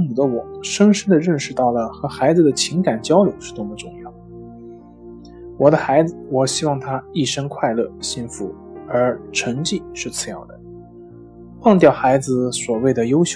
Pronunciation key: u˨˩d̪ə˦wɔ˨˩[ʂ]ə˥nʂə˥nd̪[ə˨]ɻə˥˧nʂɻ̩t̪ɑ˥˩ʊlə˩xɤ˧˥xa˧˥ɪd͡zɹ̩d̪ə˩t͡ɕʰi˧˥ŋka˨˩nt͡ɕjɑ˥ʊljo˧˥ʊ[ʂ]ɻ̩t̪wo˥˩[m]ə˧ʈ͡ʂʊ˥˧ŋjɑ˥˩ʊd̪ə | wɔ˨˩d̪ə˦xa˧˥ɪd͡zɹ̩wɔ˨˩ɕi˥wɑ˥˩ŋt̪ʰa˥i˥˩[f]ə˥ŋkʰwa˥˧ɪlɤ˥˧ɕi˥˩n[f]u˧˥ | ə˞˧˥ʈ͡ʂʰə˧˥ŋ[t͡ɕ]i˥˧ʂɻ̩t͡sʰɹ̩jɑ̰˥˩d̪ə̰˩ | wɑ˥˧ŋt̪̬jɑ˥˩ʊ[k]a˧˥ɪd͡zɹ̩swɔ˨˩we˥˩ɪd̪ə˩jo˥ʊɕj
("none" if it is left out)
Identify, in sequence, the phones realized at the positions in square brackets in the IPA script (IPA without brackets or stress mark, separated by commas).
ʂ, ə˨, ʂ, m, ʂ, f, t͡ɕ, x